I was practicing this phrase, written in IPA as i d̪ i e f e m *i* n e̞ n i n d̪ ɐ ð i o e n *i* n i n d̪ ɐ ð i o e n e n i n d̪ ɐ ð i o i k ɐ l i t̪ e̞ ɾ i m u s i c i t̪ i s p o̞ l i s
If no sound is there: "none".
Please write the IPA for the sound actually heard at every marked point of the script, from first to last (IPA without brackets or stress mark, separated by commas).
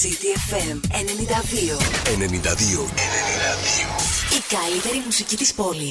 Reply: e, e